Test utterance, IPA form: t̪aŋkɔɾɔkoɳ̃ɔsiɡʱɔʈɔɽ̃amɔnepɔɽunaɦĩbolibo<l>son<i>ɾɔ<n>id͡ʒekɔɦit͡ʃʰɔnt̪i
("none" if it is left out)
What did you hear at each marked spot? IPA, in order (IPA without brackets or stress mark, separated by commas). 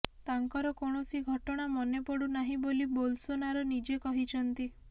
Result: l, a, n